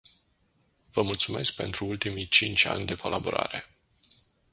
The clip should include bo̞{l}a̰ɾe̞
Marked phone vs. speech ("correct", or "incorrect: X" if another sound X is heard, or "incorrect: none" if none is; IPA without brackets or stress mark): incorrect: ɾ